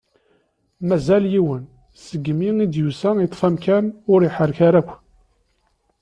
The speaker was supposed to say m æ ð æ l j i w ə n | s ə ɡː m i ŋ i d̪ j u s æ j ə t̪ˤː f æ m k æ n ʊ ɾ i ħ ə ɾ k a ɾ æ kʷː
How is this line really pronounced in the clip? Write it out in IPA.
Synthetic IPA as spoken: m æ z æ l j i w ə n | s ə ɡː m i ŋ i d̪ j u s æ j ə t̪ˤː f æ m k æ n ʊ ɾ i ħ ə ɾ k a ɾ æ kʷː

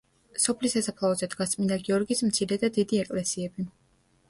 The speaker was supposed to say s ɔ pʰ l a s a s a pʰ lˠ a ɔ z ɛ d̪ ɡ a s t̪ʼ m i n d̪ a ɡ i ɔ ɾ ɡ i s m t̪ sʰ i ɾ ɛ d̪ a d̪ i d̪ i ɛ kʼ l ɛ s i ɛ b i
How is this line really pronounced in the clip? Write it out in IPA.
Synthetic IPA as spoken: s ɔ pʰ l i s a s a pʰ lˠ a ɔ z ɛ d̪ ɡ a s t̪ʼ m i n d̪ a ɡ i ɔ ɾ ɡ i s m t̪ sʰ i ɾ ɛ d̪ a d̪ i d̪ i ɛ kʼ l ɛ s i ɛ b i

